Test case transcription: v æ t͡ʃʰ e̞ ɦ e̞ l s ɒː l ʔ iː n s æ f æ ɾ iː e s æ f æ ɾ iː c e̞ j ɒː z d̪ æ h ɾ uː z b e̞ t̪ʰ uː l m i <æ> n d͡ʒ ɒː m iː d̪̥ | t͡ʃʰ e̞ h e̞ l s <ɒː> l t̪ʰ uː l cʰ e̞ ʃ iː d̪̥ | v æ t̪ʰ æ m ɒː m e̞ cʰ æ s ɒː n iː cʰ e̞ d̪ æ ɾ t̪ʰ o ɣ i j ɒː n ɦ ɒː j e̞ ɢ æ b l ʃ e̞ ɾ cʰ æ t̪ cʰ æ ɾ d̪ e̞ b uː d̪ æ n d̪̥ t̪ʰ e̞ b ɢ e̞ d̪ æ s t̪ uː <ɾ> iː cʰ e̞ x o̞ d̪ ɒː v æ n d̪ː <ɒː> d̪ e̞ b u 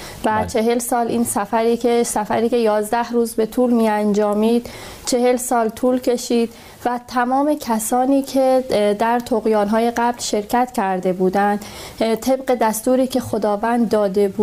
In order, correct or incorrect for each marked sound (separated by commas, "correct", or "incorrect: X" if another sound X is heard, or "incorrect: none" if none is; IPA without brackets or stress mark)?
correct, correct, correct, correct